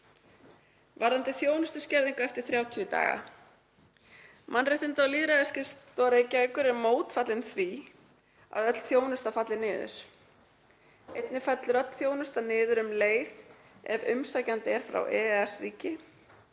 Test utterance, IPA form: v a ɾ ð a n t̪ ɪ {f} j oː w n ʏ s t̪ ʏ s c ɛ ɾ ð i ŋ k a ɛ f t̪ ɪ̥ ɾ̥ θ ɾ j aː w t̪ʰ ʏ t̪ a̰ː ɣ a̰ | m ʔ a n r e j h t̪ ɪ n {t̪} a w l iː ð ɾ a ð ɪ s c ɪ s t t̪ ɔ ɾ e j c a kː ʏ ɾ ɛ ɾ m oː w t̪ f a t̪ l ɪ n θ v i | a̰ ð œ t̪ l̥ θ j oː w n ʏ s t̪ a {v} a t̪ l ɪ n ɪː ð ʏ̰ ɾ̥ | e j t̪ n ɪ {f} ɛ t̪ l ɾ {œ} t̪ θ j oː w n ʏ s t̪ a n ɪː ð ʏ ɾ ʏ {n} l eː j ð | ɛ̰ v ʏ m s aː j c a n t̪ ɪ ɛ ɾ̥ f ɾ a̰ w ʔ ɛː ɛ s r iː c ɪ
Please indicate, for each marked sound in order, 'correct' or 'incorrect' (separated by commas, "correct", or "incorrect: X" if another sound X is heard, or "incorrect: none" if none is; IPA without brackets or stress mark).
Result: incorrect: θ, correct, incorrect: f, correct, correct, incorrect: m